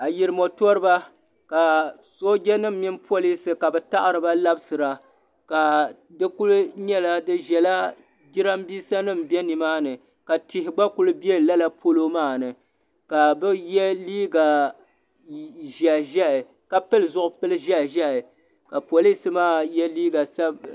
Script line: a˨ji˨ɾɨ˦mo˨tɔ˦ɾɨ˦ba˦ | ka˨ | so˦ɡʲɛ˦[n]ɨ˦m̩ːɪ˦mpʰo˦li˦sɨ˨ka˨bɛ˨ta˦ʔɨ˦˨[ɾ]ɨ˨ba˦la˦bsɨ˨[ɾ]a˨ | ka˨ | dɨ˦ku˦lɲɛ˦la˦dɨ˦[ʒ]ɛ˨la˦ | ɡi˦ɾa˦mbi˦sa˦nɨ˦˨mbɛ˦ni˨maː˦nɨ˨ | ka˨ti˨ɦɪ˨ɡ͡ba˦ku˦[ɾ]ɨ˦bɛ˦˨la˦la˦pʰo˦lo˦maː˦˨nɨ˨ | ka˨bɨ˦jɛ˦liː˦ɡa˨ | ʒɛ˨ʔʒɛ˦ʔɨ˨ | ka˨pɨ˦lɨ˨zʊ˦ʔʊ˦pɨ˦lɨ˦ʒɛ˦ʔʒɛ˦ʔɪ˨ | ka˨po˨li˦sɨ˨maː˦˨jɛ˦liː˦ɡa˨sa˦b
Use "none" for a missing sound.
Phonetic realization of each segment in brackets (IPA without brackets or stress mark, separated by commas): n, ɾ, ɾ, ʒ, l